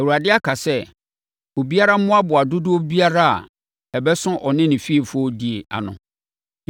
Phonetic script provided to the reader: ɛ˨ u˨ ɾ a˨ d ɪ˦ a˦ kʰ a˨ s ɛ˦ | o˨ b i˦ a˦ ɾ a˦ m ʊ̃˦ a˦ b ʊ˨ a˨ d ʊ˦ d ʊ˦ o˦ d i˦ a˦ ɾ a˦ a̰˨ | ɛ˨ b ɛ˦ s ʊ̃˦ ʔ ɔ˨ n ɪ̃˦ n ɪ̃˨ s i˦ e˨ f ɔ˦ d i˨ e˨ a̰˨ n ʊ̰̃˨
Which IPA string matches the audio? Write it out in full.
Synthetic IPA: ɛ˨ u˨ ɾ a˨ d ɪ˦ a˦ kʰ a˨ s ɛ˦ | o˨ b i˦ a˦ ɾ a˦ m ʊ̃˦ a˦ b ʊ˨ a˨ d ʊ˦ d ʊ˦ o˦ b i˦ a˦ ɾ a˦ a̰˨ | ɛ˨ b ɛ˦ s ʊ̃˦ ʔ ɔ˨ n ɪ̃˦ n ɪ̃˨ f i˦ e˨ f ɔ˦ d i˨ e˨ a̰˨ n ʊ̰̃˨